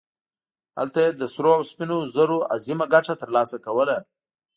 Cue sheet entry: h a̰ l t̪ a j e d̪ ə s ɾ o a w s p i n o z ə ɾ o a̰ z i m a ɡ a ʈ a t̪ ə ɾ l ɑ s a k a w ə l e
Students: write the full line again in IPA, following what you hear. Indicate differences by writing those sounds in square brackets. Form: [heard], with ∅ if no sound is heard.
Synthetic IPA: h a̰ l t̪ a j e d̪ ə s ɾ o a w s p i n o z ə ɾ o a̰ z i m a ɡ a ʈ a t̪ ə ɾ l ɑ s a k a w ə l [a]